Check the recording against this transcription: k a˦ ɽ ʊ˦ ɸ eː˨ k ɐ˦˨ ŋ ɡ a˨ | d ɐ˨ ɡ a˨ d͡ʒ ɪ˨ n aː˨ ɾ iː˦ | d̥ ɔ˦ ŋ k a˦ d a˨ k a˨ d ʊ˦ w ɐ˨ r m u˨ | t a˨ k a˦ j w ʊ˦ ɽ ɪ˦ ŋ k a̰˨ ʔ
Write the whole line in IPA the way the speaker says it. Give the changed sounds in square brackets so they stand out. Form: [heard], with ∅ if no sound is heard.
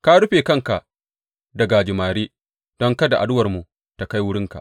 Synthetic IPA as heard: k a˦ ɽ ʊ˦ ɸ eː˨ k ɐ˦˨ ŋ [k] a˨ | d ɐ˨ ɡ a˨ d͡ʒ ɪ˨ [m] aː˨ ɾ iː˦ | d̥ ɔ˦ ŋ k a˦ d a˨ [ʔ] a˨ d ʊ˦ w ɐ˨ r m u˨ | t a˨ k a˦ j w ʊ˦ ɽ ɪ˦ ŋ k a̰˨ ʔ